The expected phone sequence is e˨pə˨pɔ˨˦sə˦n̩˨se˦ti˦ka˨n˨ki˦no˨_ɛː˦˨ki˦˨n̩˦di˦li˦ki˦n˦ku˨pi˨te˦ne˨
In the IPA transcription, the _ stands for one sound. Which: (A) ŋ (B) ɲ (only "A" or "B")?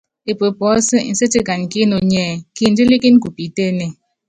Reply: B